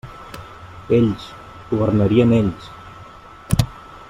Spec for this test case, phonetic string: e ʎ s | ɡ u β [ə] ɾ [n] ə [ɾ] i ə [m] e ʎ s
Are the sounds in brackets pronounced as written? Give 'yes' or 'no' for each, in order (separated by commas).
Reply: yes, yes, yes, no